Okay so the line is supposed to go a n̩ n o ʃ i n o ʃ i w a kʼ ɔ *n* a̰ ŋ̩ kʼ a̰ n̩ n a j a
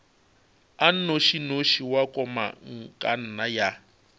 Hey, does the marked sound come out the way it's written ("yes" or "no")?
no